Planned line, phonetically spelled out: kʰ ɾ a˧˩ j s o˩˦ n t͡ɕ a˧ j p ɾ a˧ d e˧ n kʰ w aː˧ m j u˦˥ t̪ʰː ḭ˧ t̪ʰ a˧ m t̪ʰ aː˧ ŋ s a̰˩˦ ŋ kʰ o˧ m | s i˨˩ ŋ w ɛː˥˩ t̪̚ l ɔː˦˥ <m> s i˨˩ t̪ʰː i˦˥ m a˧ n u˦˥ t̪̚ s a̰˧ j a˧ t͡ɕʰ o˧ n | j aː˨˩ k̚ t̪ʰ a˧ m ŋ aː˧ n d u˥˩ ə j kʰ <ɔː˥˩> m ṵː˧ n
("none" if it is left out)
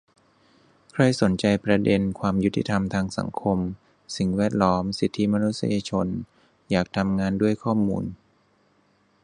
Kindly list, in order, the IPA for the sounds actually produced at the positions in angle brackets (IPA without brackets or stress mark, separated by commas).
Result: m, ɔː˥˩